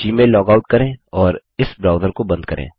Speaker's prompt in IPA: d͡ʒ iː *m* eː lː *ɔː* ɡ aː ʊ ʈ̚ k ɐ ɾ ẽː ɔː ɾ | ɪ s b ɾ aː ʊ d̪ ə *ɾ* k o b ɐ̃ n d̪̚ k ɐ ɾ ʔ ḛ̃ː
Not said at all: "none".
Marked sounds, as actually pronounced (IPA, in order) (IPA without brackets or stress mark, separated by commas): m, ɔː, ɾ